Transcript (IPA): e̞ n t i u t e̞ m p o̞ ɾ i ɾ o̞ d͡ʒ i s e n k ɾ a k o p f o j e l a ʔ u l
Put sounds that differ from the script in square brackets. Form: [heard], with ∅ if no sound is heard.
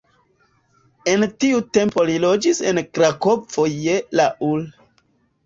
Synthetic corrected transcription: e̞ n t i u t e̞ m p o̞ [l] i [l] o̞ d͡ʒ i s e n k ɾ a k o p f o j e l a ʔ u l